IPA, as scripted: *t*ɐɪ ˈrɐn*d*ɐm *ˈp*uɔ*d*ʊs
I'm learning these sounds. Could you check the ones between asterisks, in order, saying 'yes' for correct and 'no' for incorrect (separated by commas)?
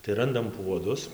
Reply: yes, yes, yes, yes